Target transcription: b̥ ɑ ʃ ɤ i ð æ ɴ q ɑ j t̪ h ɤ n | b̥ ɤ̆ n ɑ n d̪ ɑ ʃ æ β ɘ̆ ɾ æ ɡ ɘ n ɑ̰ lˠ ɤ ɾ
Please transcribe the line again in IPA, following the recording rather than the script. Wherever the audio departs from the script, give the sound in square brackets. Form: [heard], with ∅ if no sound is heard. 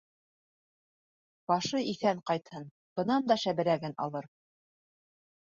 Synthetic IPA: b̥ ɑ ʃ ɤ i [θ] æ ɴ q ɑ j t̪ h ɤ n | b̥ ɤ̆ n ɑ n d̪ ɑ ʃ æ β ɘ̆ ɾ æ ɡ ɘ n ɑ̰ lˠ ɤ ɾ